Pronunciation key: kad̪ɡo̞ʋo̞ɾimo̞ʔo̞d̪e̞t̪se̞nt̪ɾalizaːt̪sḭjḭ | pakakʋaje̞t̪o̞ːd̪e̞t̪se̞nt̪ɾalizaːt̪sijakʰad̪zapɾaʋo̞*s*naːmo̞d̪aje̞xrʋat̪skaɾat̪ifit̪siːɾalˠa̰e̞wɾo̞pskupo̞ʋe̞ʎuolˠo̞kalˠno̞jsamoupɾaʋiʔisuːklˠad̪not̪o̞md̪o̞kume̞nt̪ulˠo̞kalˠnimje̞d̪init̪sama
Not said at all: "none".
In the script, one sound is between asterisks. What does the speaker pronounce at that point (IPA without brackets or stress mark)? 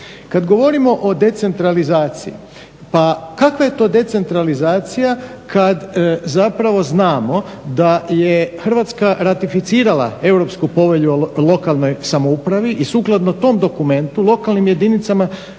z